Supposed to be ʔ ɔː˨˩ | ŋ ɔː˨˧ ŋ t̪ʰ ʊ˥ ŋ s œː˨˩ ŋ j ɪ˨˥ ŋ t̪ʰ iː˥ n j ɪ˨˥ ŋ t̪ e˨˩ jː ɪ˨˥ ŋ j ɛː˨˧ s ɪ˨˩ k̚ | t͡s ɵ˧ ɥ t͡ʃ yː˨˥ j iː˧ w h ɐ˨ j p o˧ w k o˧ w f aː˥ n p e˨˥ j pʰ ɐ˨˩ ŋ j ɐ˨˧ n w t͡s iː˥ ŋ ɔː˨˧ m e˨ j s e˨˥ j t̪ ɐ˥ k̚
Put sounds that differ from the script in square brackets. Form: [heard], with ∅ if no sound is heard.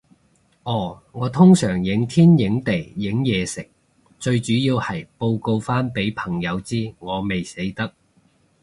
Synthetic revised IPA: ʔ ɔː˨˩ | ŋ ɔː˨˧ [∅] t̪ʰ ʊ˥ ŋ s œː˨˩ ŋ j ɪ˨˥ ŋ t̪ʰ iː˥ n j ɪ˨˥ ŋ t̪ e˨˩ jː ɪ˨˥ ŋ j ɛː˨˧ s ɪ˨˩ k̚ | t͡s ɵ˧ ɥ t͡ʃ yː˨˥ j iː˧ w h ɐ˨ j p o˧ w k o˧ w f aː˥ n p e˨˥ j pʰ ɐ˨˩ ŋ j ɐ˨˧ [∅] w t͡s iː˥ ŋ ɔː˨˧ m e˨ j s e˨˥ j t̪ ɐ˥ k̚